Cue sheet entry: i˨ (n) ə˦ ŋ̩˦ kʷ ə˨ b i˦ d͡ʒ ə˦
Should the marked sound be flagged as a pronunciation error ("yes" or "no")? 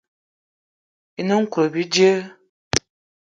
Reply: no